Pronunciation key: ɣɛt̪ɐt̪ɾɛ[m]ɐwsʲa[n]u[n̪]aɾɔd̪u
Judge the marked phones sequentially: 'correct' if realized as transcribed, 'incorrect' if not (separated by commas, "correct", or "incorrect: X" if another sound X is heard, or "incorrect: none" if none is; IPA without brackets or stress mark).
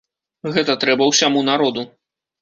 incorrect: b, incorrect: m, correct